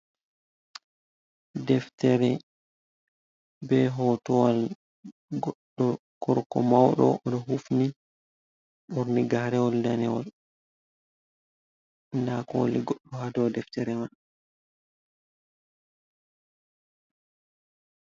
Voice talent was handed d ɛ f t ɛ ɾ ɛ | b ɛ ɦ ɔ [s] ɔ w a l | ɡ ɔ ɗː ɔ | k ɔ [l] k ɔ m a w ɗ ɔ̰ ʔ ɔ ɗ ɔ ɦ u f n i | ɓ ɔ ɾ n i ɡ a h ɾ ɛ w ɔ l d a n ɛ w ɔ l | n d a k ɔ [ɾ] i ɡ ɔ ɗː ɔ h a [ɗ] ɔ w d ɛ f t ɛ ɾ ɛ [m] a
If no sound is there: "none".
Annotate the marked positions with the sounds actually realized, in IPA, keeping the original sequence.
t, ɾ, l, d, m

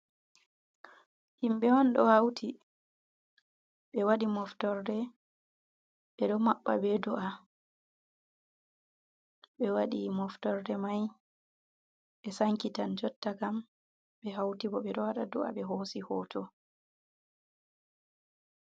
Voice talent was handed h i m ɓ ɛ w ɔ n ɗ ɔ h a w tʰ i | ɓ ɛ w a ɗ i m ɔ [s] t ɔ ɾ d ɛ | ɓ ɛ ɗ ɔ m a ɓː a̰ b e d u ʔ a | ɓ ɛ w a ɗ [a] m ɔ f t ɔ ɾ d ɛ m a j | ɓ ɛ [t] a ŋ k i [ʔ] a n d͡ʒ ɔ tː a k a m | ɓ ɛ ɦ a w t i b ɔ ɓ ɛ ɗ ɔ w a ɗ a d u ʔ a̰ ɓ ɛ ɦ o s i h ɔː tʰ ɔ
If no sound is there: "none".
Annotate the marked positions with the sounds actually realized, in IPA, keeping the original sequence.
f, i, s, t

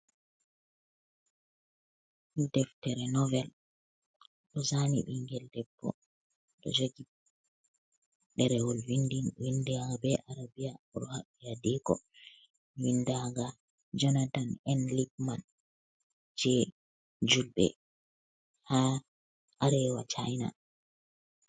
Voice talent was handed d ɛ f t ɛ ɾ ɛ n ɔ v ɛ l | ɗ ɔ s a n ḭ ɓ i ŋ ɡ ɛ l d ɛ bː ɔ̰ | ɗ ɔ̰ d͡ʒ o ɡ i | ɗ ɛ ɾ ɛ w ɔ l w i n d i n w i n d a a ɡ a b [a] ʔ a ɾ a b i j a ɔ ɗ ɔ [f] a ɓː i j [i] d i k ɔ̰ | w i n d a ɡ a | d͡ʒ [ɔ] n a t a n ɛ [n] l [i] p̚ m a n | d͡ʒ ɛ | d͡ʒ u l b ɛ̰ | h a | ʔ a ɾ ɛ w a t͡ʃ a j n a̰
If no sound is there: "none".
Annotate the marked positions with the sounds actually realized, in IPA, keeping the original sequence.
ɛ, h, a, ɔ, n, i

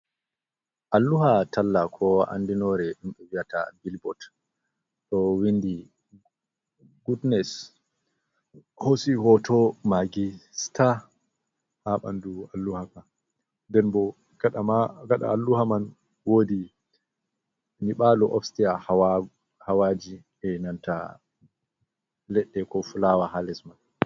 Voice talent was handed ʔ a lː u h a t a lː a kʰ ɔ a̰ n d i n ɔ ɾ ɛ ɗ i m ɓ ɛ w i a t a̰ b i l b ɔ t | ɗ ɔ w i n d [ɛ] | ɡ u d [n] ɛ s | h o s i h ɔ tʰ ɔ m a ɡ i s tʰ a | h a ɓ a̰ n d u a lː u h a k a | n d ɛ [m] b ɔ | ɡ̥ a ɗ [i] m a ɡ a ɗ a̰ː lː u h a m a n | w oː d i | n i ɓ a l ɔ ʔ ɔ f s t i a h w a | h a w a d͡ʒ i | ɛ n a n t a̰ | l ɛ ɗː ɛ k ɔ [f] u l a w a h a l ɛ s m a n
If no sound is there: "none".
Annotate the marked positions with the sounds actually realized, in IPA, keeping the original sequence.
i, n, n, a, f

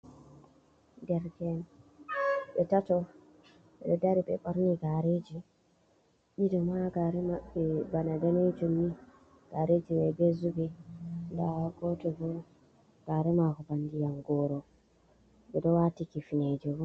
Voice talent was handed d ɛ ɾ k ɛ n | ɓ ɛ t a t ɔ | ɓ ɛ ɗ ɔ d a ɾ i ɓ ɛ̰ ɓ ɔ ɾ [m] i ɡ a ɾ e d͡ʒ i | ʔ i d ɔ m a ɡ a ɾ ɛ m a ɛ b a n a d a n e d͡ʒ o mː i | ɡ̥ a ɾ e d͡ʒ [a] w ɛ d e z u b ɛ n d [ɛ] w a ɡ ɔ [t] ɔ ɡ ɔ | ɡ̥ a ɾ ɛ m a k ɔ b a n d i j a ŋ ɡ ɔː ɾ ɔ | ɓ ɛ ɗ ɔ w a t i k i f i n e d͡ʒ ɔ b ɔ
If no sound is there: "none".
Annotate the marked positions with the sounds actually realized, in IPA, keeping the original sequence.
n, i, a, t

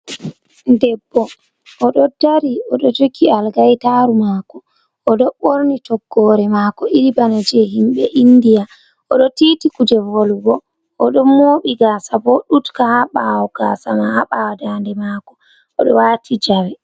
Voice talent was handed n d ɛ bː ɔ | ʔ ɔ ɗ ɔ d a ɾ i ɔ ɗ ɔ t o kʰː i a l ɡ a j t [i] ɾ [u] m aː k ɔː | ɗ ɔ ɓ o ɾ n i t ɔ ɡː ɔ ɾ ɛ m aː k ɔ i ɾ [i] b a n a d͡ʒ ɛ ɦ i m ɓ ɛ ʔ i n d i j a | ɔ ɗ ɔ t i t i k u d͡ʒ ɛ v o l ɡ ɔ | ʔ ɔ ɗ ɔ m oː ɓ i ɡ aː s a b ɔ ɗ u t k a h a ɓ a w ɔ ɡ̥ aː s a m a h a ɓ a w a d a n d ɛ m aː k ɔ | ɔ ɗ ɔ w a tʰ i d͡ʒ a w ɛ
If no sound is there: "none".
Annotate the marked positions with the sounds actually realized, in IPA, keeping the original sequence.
a, u, i

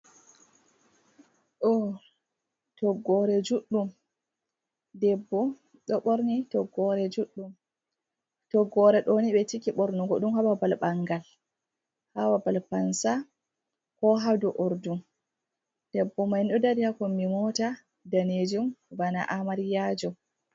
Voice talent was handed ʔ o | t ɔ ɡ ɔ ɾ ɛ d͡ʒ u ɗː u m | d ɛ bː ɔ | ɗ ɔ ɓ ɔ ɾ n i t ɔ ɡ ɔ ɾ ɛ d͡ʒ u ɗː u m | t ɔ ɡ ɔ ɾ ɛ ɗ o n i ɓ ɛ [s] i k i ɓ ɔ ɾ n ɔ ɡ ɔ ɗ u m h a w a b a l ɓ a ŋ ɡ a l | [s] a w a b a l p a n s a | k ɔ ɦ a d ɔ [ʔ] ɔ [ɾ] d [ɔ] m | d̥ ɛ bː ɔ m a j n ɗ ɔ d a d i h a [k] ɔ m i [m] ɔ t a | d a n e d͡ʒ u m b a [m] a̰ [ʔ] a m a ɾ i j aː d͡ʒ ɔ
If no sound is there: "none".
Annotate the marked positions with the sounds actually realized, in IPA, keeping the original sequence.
t, h, ʔ, ɾ, u, k, m, n, ʔ

